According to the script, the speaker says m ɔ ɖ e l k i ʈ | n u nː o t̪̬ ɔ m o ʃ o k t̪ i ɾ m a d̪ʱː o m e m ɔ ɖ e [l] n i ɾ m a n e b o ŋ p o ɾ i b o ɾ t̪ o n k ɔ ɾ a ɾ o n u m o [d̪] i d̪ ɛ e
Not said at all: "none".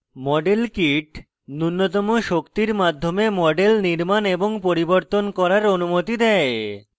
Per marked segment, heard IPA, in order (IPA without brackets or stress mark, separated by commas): l, t̪